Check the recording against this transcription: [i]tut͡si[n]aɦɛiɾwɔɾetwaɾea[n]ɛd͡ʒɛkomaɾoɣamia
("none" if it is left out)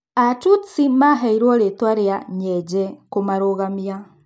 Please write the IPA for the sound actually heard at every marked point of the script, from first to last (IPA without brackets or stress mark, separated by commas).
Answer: a, m, ɲ